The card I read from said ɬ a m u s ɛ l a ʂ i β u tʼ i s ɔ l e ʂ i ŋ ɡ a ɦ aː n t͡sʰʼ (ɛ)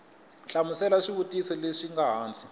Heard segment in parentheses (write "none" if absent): i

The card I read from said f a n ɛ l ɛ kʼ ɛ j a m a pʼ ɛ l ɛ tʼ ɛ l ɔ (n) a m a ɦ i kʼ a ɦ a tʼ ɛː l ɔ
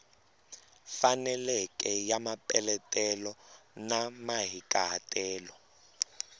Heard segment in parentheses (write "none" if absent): n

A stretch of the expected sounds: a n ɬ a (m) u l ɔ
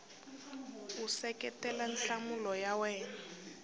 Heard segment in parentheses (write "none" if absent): m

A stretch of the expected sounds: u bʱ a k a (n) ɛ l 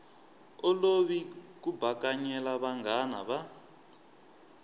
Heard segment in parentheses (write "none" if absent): ɲ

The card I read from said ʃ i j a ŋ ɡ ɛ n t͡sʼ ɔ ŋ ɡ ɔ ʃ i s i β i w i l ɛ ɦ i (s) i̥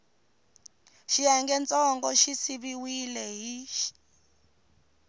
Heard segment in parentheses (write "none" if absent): ʃ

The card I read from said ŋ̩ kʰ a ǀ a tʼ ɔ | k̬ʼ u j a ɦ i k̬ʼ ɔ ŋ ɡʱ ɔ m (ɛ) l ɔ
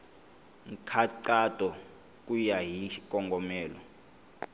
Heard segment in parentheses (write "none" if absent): ɛː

